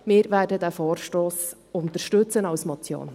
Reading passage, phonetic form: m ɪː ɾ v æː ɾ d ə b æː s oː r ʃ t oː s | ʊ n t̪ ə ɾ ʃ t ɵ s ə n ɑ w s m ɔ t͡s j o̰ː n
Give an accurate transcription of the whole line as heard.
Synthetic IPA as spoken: m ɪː ɾ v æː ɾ d ə d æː f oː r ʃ t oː s | ʊ n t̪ ə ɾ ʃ t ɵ t͡s ə n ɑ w s m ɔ t͡s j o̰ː n